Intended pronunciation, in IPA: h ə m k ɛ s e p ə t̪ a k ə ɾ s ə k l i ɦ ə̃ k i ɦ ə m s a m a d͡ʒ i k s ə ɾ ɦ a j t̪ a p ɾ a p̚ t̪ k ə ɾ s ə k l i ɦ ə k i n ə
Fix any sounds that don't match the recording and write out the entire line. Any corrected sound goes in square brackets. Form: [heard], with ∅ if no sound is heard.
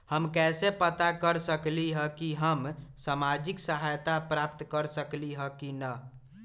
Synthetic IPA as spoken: h ə m k ɛ s e p ə t̪ a k ə ɾ s ə k l i ɦ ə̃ k i ɦ ə m s a m a d͡ʒ i k s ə [∅] ɦ a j t̪ a p ɾ a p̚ t̪ k ə ɾ s ə k l i ɦ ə k i n ə